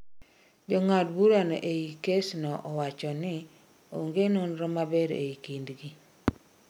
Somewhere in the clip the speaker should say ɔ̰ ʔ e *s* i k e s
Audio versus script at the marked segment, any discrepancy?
yes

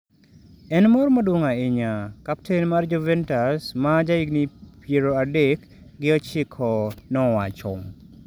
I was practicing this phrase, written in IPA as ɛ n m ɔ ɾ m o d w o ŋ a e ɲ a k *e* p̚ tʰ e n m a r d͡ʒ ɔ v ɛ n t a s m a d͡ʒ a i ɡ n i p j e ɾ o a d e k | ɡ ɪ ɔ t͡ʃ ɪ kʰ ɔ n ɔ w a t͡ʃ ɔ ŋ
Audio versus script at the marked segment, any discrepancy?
yes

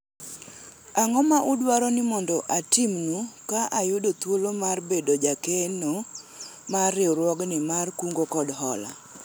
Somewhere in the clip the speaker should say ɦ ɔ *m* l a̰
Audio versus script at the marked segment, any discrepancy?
yes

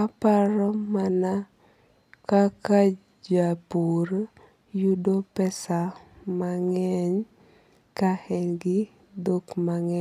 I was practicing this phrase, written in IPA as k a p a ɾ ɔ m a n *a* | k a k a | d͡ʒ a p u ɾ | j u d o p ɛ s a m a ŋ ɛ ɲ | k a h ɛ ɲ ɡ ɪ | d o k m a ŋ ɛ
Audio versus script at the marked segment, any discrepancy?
no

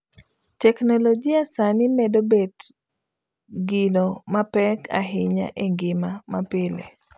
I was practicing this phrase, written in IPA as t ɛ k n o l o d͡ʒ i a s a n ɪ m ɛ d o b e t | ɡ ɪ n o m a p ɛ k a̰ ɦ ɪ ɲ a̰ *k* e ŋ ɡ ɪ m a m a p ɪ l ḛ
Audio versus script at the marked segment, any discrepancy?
yes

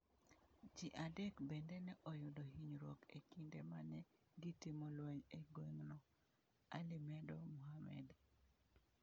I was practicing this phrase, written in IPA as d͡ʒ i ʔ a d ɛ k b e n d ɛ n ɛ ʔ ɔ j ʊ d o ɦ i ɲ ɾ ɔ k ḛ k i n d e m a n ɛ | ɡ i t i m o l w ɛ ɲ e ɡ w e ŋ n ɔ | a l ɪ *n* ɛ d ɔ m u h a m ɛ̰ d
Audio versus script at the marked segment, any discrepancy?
yes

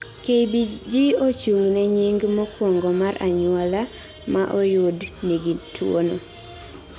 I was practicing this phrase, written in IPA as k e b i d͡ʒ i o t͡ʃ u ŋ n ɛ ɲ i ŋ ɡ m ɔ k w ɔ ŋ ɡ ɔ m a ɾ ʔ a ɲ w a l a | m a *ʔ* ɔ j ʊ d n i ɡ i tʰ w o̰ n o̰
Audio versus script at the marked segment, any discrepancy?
no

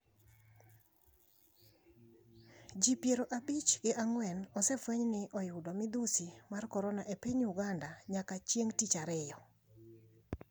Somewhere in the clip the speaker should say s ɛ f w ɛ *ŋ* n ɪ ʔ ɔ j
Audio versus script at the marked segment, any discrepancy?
yes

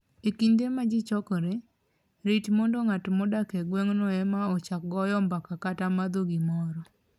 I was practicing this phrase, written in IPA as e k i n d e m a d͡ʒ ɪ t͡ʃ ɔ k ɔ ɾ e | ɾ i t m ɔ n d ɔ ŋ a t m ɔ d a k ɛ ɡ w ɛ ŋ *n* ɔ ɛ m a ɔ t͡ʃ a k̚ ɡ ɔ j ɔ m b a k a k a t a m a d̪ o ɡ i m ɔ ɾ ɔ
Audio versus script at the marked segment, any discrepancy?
no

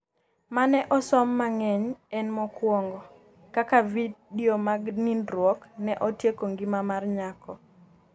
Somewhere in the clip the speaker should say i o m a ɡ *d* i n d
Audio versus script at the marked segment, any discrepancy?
yes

